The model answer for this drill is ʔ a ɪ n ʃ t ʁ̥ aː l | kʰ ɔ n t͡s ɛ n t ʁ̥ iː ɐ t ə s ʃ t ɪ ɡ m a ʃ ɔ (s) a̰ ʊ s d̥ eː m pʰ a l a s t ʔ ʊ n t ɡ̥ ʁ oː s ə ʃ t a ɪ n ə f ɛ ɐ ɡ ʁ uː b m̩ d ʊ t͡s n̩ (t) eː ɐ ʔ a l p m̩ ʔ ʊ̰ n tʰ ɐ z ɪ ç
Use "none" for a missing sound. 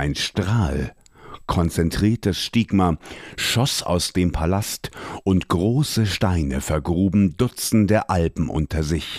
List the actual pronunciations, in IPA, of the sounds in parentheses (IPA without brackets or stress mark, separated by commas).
s, d